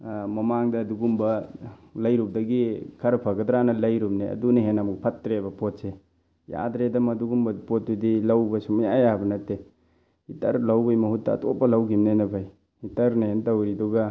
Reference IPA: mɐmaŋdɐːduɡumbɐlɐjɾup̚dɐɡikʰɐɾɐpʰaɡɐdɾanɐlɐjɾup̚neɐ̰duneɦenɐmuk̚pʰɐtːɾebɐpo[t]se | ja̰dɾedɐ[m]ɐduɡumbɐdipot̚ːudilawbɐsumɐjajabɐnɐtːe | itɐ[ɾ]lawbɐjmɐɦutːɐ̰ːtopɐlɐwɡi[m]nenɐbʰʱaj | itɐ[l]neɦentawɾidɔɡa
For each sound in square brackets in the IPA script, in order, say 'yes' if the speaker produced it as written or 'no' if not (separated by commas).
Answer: yes, yes, yes, yes, no